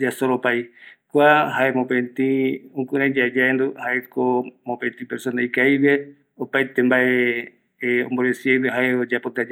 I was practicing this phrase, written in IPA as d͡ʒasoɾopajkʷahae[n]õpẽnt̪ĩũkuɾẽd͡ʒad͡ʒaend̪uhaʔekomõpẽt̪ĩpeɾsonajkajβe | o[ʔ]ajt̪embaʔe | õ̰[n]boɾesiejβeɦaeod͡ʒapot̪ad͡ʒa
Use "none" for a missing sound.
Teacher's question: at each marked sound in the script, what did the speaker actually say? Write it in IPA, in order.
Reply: m, p, m

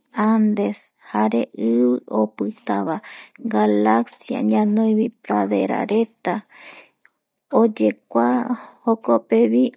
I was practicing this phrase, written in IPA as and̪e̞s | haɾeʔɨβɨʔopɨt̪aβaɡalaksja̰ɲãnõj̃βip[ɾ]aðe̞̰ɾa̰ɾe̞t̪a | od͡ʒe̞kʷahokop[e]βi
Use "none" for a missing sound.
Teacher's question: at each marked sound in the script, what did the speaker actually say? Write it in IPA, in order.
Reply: ɾ, e

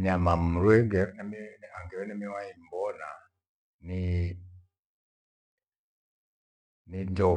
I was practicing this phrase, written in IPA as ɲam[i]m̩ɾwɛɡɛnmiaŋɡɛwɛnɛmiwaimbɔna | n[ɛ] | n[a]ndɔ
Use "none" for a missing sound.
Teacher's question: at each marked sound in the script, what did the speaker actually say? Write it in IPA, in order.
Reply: a, i, i

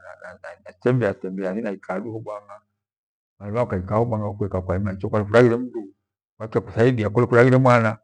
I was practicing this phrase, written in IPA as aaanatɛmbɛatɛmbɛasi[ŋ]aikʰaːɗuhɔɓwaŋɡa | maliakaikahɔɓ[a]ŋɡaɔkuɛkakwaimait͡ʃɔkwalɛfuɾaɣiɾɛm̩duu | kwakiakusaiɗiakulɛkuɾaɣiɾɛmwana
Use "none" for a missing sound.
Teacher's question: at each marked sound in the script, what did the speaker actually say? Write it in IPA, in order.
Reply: n, a

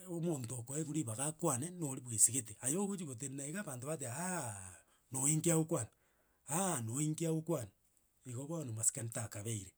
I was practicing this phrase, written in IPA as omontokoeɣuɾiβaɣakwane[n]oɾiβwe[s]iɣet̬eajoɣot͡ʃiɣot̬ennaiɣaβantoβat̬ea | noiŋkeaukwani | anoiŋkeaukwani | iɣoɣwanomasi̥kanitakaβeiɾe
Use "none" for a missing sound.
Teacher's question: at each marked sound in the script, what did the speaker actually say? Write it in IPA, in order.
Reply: n, s

